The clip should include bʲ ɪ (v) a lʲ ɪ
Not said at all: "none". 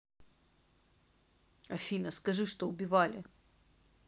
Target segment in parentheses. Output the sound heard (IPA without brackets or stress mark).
v